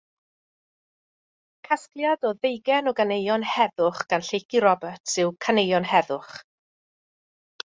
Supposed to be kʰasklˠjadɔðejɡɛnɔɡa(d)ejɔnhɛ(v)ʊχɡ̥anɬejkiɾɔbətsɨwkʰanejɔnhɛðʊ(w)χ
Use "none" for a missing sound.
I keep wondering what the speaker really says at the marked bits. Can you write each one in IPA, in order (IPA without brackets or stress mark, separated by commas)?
n, ð, none